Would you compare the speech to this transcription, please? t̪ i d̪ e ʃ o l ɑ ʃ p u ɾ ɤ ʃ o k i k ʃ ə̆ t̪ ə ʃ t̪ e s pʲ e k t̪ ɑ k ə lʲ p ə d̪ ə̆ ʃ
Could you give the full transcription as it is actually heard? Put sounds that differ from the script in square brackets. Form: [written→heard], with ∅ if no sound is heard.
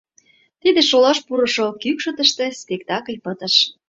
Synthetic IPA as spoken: t̪ i d̪ e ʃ o l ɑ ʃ p u ɾ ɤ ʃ o k [i→y] k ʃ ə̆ t̪ ə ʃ t̪ e s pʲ e k t̪ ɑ k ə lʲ p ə [d̪→t̪] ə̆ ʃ